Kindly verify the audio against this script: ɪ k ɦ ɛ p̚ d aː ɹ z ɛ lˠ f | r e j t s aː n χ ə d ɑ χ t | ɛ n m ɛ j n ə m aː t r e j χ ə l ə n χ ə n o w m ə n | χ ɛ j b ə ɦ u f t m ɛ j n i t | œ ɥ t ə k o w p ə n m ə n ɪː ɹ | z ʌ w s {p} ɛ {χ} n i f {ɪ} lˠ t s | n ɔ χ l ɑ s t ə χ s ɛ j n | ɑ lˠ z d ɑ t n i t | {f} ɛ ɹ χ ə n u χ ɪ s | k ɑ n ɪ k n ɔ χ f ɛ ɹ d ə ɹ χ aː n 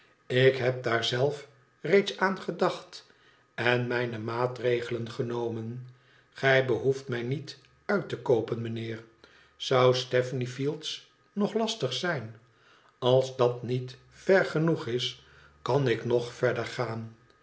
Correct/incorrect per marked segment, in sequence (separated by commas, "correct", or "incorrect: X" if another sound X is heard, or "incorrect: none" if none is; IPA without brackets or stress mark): incorrect: t, incorrect: f, incorrect: i, correct